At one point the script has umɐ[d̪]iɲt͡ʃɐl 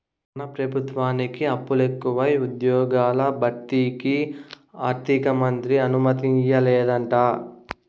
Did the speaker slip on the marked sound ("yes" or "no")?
yes